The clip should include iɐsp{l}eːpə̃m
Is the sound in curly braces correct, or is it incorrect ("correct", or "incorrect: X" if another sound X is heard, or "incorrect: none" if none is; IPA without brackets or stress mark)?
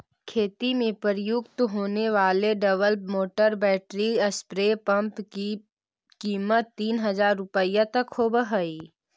incorrect: ɾ